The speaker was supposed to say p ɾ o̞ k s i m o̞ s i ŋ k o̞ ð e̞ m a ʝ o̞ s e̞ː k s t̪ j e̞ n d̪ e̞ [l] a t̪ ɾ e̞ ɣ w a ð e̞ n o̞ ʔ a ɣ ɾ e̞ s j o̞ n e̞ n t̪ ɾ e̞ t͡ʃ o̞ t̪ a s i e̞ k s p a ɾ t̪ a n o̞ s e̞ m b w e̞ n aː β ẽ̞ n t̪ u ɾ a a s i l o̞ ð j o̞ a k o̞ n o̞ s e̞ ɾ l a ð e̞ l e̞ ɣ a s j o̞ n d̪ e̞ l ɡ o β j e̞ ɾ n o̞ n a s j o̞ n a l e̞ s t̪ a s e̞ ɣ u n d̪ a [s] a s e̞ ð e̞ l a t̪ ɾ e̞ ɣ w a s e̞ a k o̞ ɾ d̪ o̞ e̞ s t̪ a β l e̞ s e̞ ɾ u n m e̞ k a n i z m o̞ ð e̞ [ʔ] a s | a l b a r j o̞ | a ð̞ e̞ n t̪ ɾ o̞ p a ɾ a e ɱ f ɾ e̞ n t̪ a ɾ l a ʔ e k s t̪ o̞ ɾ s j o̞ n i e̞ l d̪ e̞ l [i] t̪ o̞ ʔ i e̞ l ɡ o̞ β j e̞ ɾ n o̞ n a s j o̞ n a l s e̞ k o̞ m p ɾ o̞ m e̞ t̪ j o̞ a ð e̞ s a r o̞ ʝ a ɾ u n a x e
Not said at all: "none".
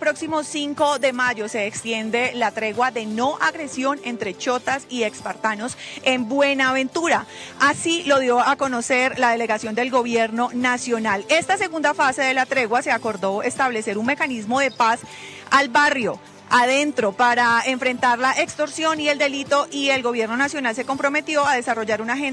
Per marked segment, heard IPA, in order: l, f, p, i

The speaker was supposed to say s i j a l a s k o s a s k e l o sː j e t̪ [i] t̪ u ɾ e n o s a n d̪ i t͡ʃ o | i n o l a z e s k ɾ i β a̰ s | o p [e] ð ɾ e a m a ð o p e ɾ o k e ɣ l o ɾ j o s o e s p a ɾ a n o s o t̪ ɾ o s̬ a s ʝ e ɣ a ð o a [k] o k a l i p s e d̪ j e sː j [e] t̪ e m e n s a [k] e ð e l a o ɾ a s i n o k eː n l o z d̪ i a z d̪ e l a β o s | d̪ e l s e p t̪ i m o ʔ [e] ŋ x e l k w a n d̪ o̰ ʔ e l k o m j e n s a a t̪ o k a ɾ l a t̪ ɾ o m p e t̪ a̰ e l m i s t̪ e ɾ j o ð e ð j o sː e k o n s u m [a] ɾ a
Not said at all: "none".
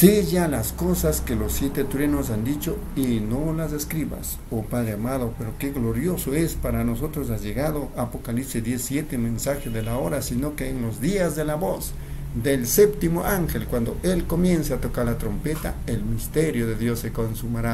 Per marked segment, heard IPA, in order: e, a, p, e, x, a, a

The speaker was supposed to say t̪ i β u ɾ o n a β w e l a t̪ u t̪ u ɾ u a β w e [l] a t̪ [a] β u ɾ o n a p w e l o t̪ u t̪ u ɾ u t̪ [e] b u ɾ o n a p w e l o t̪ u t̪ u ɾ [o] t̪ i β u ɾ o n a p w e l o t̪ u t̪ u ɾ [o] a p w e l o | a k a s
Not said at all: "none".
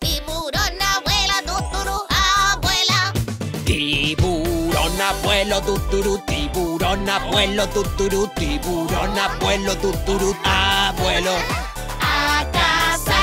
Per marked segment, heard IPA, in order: l, i, i, u, u

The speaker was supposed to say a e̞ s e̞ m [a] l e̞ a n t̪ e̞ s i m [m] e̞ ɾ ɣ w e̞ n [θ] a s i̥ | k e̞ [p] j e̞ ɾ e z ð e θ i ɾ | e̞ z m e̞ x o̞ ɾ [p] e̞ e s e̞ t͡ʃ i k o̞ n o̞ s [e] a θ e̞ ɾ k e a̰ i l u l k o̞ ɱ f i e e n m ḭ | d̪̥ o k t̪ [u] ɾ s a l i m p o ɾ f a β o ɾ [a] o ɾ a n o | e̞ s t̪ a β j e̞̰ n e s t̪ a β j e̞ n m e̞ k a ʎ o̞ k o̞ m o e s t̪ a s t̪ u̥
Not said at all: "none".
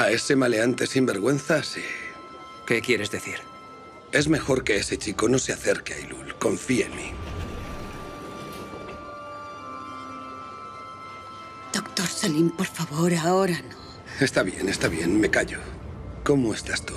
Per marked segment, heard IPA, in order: a, b, θ, k, k, e, o, a

